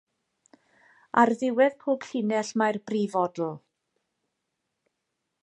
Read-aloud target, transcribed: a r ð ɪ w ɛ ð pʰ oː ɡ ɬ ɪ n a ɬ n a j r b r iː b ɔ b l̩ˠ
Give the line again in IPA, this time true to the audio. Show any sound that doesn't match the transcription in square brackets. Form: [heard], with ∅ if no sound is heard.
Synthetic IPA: a r ð ɪ w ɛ ð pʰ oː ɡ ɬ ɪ n [ɛ] ɬ [m] a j r b r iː [v] ɔ [d] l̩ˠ